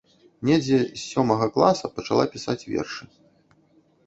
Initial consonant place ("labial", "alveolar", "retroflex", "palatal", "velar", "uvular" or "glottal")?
alveolar